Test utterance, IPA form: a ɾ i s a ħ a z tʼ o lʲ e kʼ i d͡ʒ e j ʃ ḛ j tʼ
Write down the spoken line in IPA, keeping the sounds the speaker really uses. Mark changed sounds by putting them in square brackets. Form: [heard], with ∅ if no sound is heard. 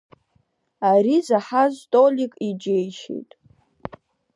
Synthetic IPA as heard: a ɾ i [z] a ħ a z tʼ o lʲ [i] kʼ i d͡ʒ e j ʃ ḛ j tʼ